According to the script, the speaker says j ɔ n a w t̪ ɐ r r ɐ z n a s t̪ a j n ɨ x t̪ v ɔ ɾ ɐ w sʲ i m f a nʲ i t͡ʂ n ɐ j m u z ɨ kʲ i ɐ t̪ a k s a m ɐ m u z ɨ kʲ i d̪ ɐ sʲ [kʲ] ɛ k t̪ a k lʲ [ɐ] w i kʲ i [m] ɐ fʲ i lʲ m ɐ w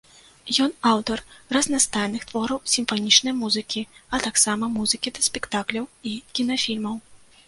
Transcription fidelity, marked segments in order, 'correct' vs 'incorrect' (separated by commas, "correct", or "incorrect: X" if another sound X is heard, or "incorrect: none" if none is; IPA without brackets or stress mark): incorrect: pʲ, correct, incorrect: n